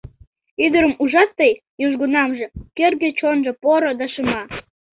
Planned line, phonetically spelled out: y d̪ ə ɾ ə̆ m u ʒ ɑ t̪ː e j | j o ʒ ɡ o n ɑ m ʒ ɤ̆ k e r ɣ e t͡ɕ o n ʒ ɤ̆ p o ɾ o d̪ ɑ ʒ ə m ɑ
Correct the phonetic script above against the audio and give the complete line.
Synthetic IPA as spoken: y d̪ ə ɾ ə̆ m u ʒ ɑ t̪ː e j | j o ʒ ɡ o n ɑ m ʒ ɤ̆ k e r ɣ e t͡ɕ o n ʒ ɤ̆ p o ɾ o d̪ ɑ ʃ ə m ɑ